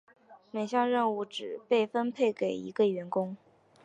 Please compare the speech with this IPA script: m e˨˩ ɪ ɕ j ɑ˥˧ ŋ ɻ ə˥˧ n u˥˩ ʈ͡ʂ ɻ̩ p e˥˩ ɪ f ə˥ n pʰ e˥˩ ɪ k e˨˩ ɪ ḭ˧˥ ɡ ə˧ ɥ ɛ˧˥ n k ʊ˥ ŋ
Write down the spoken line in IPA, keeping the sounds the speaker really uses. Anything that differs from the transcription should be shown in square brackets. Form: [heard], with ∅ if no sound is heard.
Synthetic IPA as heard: m e˨˩ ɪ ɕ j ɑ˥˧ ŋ ɻ ə˥˧ n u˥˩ ʈ͡ʂ ɻ̩ p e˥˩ ɪ f ə˥ n pʰ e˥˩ ɪ k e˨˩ ɪ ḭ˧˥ ɡ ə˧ ɥ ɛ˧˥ n k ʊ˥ ŋ